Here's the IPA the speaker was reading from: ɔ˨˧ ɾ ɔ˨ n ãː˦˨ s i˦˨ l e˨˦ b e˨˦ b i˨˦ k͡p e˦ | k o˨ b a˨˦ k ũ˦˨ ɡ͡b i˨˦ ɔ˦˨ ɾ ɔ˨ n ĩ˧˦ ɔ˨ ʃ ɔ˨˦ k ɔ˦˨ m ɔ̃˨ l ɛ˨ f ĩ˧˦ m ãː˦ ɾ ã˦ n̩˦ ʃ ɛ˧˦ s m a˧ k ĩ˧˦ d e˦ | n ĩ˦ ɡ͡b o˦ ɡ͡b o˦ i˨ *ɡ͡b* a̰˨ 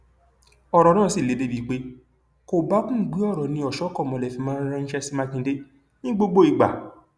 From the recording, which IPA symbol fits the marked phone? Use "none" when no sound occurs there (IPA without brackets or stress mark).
ɡ͡b